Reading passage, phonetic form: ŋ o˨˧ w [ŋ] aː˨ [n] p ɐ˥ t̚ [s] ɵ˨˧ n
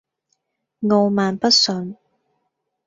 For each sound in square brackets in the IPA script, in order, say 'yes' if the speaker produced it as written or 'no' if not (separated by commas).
no, yes, yes